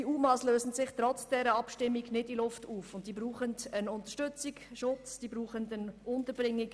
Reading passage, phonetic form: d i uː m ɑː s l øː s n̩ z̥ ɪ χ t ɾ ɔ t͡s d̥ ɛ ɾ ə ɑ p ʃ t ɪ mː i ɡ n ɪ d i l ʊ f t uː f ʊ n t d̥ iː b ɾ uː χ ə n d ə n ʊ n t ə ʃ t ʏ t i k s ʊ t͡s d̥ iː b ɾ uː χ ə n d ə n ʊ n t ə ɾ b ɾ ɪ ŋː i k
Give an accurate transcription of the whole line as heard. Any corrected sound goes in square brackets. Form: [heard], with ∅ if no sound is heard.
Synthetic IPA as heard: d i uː m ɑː s l øː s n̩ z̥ ɪ χ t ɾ ɔ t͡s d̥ ɛ ɾ ə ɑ p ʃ t ɪ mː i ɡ n ɪ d i l ʊ f t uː f ʊ n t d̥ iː b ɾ uː χ ə n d ə n ʊ n t ə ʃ t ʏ [t͡s] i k [ʃ] ʊ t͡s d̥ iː b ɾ uː χ ə n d ə n ʊ n t ə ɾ b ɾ ɪ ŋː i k